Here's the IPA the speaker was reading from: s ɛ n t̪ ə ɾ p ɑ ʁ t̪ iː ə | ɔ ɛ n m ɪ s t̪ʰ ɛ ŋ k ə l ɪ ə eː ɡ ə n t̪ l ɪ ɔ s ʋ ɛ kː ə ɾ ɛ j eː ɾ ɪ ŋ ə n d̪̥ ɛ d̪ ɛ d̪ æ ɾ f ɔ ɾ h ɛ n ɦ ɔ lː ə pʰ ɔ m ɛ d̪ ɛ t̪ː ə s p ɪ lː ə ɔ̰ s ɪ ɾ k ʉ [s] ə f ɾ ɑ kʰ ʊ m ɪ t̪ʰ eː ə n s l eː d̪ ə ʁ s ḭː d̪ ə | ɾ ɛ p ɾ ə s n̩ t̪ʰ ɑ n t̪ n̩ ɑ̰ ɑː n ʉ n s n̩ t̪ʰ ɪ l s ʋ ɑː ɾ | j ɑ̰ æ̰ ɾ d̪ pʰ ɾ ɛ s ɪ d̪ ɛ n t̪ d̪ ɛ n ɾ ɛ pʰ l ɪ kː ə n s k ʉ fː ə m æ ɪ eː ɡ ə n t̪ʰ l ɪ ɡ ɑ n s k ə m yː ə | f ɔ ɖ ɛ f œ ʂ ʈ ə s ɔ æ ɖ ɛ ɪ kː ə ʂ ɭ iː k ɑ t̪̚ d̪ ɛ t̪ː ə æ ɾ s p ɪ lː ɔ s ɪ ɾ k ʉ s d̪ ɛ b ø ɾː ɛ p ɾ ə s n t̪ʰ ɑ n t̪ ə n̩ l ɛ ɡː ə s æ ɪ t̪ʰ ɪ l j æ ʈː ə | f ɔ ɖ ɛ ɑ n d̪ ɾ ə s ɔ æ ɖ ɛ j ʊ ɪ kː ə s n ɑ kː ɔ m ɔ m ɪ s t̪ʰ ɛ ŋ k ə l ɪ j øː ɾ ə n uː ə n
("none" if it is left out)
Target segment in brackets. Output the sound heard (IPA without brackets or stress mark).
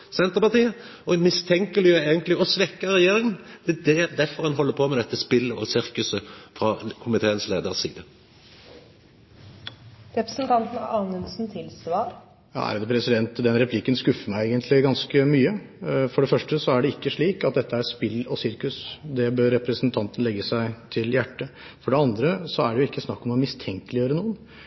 s